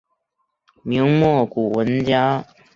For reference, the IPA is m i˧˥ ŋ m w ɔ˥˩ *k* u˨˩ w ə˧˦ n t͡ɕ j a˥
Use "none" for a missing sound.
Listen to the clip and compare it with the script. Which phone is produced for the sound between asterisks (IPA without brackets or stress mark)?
k